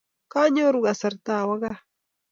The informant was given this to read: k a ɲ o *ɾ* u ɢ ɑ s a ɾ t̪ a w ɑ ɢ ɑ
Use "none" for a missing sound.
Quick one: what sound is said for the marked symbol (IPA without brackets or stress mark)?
ɾ